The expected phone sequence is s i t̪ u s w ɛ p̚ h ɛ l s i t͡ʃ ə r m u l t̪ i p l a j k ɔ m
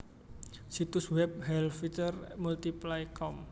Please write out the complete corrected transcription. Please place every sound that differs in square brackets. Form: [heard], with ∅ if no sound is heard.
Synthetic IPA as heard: s i t̪ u s w ɛ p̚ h ɛ l [f] i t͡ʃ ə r m u l t̪ i p l a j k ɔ m